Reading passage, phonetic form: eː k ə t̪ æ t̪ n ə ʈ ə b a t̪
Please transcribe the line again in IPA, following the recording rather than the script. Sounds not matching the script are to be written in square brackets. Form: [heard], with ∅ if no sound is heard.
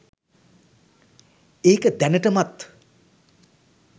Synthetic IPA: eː k ə [d̪] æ [∅] n ə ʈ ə [m] a t̪

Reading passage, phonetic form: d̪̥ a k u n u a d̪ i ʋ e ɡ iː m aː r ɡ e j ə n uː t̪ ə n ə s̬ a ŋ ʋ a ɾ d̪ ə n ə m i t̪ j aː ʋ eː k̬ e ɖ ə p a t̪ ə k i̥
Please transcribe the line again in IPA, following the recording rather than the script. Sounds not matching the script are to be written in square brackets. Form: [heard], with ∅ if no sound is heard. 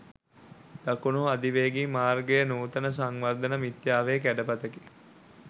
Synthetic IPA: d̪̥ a k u n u a d̪ i ʋ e ɡ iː m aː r ɡ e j ə n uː t̪ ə n ə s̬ a ŋ ʋ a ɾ d̪ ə n ə m i t̪ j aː ʋ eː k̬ [æ] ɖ ə p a t̪ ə k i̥

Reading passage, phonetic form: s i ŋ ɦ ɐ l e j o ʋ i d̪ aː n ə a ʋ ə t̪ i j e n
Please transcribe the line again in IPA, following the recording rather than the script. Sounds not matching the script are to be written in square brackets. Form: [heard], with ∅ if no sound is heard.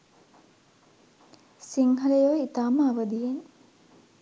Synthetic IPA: s i ŋ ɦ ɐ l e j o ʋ i [t̪] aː [m] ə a ʋ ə [d̪] i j e n

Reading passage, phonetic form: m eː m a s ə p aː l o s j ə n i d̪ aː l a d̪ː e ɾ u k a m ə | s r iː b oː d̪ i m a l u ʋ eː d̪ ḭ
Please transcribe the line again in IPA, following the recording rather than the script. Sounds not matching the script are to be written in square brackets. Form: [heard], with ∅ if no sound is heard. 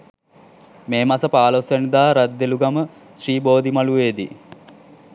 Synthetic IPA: m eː m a s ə p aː l o s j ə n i d̪ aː [ɾ] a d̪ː e [l] u [ɡ] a m ə | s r iː b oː d̪ i m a l u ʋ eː d̪ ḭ

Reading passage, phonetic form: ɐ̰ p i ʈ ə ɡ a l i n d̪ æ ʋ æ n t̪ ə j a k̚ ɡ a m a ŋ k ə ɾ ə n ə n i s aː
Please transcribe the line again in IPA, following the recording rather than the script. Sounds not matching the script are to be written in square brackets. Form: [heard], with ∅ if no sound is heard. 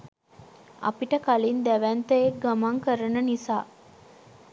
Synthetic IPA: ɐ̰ p i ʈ ə [k] a l i n d̪ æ ʋ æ n t̪ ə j [e] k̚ ɡ a m a ŋ k ə ɾ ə n ə n i s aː

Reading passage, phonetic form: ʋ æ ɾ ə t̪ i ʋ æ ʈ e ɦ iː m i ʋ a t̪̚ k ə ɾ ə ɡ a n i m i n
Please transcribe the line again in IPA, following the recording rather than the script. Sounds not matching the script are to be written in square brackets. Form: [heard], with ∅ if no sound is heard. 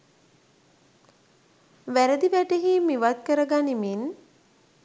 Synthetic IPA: ʋ æ ɾ ə [d̪] i ʋ æ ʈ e ɦ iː m i ʋ a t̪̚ k ə ɾ ə ɡ a n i m i n

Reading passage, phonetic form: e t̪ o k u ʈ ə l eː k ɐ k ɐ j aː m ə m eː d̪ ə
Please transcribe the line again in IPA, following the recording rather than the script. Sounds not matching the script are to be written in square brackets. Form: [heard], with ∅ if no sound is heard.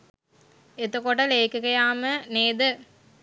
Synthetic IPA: e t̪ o k [o] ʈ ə l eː k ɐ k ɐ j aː m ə [n] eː d̪ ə

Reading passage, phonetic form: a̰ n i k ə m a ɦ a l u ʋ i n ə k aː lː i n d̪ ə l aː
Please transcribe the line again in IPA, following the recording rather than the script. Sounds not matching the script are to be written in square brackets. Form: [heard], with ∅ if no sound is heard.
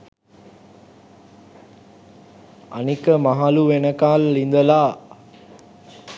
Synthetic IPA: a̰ n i k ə m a ɦ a l u ʋ [e] n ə k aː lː i n d̪ ə l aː

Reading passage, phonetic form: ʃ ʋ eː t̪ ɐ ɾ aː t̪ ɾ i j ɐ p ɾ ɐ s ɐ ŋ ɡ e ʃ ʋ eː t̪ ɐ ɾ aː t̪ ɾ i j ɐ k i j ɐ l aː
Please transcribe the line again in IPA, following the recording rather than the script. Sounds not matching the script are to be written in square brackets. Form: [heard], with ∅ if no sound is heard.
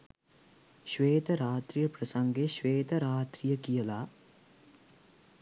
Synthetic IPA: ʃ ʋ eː t̪ ɐ ɾ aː t̪ ɾ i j ɐ p ɾ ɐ s ɐ ŋ ɡ e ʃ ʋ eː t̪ ɐ ɾ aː t̪ ɾ i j ɐ k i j ɐ l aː

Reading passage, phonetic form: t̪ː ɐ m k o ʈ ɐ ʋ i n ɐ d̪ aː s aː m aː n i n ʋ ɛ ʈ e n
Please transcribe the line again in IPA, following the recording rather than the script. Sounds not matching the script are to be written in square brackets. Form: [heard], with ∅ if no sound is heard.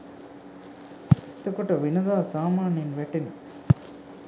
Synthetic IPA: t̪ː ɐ [∅] k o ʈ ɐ ʋ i n ɐ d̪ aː s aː m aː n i n ʋ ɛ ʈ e n

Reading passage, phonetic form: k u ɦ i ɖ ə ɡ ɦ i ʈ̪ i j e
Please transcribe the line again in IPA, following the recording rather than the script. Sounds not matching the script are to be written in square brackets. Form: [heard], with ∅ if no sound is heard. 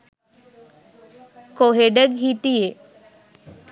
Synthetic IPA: k [o] ɦ [e] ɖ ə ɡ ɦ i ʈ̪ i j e

